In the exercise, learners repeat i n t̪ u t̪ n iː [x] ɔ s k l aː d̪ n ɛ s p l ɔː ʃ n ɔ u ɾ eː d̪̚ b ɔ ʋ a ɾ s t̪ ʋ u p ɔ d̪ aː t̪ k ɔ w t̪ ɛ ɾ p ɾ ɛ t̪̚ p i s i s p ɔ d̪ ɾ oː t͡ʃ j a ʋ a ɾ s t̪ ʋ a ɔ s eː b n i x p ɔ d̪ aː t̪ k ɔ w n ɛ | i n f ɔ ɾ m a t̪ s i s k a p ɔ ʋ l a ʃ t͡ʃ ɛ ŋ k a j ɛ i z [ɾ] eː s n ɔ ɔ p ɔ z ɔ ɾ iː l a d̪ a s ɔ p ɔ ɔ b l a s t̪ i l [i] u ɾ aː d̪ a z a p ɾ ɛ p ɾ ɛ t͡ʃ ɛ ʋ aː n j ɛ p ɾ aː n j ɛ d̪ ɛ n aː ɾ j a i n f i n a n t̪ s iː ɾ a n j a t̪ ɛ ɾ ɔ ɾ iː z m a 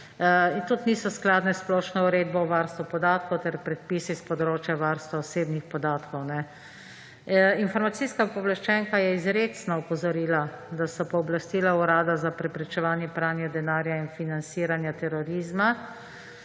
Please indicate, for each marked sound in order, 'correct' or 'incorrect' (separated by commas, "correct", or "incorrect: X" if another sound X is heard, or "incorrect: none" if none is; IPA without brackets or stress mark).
incorrect: s, correct, incorrect: a